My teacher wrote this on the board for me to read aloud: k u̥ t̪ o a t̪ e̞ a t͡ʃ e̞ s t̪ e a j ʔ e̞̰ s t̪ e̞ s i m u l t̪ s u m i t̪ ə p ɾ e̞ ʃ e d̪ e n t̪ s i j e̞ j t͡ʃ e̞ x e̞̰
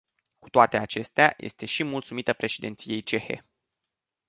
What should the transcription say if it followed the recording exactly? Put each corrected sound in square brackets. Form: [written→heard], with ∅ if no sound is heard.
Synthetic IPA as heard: k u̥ t̪ o a t̪ e̞ a t͡ʃ e̞ s t̪ e a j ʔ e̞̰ s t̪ e̞ [s→ʃ] i m u l t̪ s u m i t̪ ə p ɾ e̞ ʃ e d̪ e n t̪ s i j e̞ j t͡ʃ e̞ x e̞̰